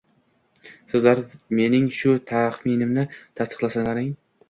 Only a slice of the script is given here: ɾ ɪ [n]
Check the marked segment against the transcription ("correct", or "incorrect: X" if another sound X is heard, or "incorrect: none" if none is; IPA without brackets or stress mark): incorrect: ŋ